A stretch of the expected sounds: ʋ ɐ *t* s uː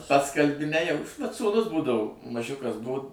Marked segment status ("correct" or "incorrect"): correct